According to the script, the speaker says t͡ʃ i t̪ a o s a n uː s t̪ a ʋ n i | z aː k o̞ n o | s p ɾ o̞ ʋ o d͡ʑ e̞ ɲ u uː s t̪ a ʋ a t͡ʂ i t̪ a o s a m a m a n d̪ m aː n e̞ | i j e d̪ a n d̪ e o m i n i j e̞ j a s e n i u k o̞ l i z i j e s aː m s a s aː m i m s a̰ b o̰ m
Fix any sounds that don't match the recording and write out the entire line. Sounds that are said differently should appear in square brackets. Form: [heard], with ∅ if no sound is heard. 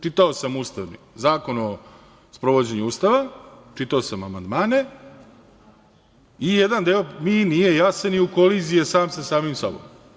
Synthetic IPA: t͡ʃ i t̪ a o s a [m] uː s t̪ a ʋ n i | z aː k o̞ n o | s p ɾ o̞ ʋ o d͡ʑ e̞ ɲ u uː s t̪ a ʋ a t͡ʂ i t̪ a o s a m a m a n d̪ m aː n e̞ | i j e d̪ a n d̪ e o m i n i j e̞ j a s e n i u k o̞ l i z i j e s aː m s a s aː m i m s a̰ b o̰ m

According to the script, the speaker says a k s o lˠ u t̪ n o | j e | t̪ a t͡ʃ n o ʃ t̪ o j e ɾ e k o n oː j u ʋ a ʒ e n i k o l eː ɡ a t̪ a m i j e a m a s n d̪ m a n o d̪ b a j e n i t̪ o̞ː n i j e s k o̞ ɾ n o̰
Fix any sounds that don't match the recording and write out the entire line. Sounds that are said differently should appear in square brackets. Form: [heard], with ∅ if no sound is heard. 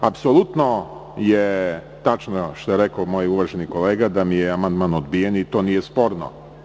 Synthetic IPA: a [p] s o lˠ u t̪ n o | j e | t̪ a t͡ʃ n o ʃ t̪ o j e ɾ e k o [m] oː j u ʋ a ʒ e n i k o l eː ɡ a [d̪] a m i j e a m a [∅] n d̪ m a n o d̪ b [i] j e n i t̪ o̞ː n i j e s [p] o̞ ɾ n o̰

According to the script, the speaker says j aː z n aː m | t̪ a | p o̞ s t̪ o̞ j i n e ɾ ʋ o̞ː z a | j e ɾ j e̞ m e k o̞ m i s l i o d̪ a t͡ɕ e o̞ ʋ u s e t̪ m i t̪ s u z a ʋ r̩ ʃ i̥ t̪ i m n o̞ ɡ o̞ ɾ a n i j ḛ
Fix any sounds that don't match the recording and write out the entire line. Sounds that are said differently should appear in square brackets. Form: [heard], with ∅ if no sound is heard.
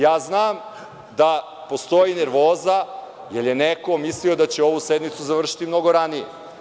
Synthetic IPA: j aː z n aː m | [d̪] a | p o̞ s t̪ o̞ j i n e ɾ ʋ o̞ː z a | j e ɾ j e̞ [n] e k o̞ m i s l i o d̪ a t͡ɕ e o̞ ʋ u s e [d̪] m i t̪ s u z a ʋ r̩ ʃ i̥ t̪ i m n o̞ ɡ o̞ ɾ a n i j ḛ

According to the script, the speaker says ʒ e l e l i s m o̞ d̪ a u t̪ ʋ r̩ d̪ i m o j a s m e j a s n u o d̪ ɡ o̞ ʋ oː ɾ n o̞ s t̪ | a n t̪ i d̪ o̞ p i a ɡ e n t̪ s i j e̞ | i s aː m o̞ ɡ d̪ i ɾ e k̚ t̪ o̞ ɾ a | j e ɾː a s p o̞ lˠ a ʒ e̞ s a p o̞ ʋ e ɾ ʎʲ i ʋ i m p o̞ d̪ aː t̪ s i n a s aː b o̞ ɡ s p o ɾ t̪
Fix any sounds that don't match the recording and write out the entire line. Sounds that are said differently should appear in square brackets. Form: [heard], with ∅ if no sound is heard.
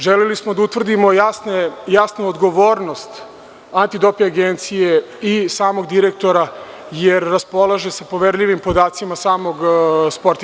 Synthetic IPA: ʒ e l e l i s m o̞ d̪ a u t̪ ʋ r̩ d̪ i m o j a s [n] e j a s n u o d̪ ɡ o̞ ʋ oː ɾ n o̞ s t̪ | a n t̪ i d̪ o̞ p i a ɡ e n t̪ s i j e̞ | i s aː m o̞ ɡ d̪ i ɾ e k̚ t̪ o̞ ɾ a | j e ɾː a s p o̞ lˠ a ʒ e̞ s a p o̞ ʋ e ɾ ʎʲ i ʋ i m p o̞ d̪ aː t̪ s i [m] a s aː [m] o̞ ɡ s p o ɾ t̪

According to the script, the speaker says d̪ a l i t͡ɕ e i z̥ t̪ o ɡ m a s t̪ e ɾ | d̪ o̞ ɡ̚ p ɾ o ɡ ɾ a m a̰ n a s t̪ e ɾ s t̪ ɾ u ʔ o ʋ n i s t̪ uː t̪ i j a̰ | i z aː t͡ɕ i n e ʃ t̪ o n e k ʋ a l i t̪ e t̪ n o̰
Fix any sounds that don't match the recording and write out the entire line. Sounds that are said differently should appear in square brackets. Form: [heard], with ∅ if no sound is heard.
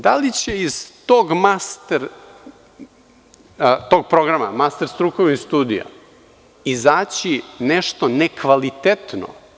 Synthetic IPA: d̪ a l i t͡ɕ e i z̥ t̪ o ɡ m a s t̪ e ɾ | [t̪] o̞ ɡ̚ p ɾ o ɡ ɾ a m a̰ [m] a s t̪ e ɾ s t̪ ɾ u [k] o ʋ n i s t̪ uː [d̪] i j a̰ | i z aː t͡ɕ i n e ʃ t̪ o n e k ʋ a l i t̪ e t̪ n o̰

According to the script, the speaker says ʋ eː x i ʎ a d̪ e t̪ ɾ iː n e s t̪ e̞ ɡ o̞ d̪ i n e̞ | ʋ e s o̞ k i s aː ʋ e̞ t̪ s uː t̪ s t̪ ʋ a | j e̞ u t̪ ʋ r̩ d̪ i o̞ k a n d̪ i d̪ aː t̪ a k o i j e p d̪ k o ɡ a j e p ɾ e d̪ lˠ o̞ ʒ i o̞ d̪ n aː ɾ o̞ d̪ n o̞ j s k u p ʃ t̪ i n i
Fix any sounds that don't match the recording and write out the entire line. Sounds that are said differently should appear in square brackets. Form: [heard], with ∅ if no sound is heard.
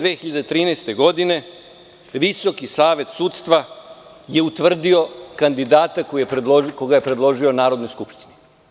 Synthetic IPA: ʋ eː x i ʎ a d̪ e t̪ ɾ iː n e s t̪ e̞ ɡ o̞ d̪ i n e̞ | ʋ [i] s o̞ k i s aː ʋ e̞ t̪ s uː t̪ s t̪ ʋ a | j e̞ u t̪ ʋ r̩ d̪ i o̞ k a n d̪ i d̪ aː t̪ a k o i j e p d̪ k o ɡ a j e p ɾ e d̪ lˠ o̞ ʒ i o̞ [∅] n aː ɾ o̞ d̪ n o̞ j s k u p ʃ t̪ i n i

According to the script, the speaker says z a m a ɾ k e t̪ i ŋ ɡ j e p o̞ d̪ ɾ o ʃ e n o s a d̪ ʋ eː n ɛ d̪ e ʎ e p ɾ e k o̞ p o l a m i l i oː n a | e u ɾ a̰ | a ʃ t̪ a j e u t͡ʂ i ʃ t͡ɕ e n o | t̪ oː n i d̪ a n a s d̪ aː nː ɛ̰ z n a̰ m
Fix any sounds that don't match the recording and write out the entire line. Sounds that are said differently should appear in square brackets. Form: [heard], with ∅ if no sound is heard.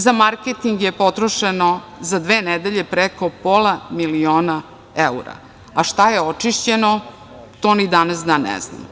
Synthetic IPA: z a m a ɾ k e t̪ i ŋ ɡ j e p o̞ [t̪] ɾ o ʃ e n o [z] a d̪ ʋ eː n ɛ d̪ e ʎ e p ɾ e k o̞ p o l a m i l i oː n a | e u ɾ a̰ | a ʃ t̪ a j e [o] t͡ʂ i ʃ t͡ɕ e n o | t̪ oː n i d̪ a n a s d̪ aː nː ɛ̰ z n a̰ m

